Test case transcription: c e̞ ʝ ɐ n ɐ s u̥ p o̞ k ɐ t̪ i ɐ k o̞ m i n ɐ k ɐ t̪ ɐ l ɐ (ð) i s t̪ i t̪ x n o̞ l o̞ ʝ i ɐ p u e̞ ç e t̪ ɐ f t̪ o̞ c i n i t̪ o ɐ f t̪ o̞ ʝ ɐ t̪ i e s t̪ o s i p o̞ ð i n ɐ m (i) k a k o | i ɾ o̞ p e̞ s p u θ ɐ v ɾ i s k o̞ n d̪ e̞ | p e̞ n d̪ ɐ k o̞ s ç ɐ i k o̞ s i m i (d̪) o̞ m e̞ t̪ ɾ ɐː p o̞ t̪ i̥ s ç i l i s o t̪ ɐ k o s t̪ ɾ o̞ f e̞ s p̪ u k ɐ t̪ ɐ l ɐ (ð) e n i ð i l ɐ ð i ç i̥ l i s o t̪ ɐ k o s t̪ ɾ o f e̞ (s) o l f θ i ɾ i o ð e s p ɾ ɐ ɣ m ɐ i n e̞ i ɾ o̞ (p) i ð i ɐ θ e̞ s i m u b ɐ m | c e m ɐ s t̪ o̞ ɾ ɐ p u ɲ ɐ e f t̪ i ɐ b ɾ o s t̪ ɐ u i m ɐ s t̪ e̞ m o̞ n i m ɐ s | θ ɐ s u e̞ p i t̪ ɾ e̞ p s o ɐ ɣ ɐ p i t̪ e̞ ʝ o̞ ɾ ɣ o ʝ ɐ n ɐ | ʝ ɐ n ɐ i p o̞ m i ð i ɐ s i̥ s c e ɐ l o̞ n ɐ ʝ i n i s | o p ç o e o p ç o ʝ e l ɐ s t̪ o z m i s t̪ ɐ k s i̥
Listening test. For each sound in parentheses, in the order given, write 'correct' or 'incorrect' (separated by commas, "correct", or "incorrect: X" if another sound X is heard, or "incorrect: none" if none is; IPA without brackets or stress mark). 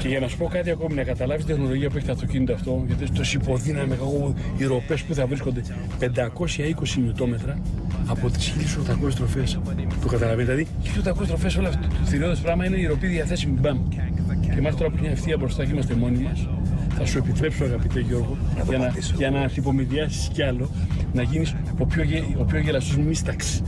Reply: incorrect: v, incorrect: e, incorrect: t̪, incorrect: v, correct, correct